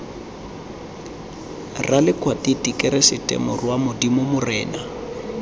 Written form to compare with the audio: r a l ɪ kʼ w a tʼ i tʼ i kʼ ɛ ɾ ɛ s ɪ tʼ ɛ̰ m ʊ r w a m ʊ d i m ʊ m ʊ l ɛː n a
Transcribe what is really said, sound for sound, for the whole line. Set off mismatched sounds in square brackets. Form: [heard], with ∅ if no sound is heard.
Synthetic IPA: r a l ɪ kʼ w a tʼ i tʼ i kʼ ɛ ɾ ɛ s ɪ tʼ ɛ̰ m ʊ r w a m ʊ d i m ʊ m ʊ [r] ɛː n a